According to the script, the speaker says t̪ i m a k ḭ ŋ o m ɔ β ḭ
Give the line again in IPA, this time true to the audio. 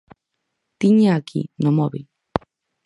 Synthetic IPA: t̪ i ɲ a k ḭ n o m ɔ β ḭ